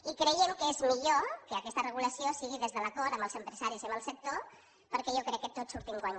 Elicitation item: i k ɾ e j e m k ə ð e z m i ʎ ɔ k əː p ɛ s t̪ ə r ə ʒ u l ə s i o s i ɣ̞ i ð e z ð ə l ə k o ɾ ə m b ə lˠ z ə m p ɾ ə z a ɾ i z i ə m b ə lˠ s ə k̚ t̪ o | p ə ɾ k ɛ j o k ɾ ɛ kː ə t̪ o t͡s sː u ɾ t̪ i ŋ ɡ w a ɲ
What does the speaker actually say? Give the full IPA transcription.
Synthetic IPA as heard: i k ɾ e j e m k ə e z m i ʎ o k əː k ɛ s t̪ ə r ə ɣ u l ə s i o s i ɣ̞ i ð e z ð ə l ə k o ɾ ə m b ə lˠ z ə m p ɾ ə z a ɾ i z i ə m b ə lˠ s ə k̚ t̪ o | p ə ɾ k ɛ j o k ɾ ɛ kː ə t̪ o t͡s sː u ɾ t̪ i ŋ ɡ w a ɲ